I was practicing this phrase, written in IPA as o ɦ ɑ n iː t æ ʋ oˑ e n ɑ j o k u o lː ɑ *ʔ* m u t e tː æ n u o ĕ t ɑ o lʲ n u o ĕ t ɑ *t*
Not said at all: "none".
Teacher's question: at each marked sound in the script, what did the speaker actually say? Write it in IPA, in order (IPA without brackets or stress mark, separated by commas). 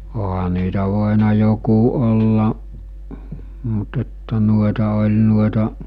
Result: ʔ, ʔ